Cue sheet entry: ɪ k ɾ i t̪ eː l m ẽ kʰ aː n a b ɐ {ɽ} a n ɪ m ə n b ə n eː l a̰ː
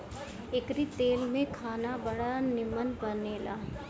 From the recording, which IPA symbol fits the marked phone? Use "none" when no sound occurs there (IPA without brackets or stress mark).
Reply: ɽ